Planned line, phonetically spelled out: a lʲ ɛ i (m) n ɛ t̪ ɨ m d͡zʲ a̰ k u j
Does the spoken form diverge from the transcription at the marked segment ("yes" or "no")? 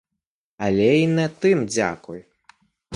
yes